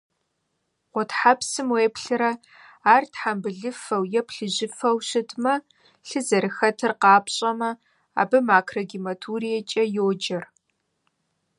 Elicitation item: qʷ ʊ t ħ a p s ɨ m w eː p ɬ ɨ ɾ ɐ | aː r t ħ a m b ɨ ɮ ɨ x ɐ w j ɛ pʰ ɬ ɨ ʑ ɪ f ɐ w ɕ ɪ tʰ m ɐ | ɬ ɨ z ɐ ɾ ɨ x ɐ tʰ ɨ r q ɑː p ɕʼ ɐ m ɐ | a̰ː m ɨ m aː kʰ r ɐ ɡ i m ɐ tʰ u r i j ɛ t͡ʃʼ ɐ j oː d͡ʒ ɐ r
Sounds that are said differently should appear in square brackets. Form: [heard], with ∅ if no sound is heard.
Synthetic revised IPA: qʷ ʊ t ħ a p s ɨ m w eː p ɬ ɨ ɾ ɐ | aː r t ħ a m b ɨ ɮ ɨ [f] ɐ w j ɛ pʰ ɬ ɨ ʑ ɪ f ɐ w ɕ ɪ tʰ m ɐ | ɬ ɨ z ɐ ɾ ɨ x ɐ tʰ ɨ r q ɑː p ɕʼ ɐ m ɐ | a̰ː [b] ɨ m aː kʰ r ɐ ɡ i m ɐ tʰ u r i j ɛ t͡ʃʼ ɐ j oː d͡ʒ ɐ r